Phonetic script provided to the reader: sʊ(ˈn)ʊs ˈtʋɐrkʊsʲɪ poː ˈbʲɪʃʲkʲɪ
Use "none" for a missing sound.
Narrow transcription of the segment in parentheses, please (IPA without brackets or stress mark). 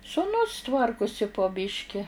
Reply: n